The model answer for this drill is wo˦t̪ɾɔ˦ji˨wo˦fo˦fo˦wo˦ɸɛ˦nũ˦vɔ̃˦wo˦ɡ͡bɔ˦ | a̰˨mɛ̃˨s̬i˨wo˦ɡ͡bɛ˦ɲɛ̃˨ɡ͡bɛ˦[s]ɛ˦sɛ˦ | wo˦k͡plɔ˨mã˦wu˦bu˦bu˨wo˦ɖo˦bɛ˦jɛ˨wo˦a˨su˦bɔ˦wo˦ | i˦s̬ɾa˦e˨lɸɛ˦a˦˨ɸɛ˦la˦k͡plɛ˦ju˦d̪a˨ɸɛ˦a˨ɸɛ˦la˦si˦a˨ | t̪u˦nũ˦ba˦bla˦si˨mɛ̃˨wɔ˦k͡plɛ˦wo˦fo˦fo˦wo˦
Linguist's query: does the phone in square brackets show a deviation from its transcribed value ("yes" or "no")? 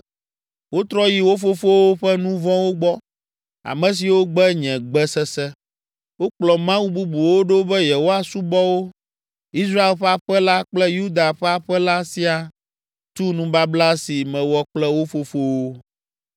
no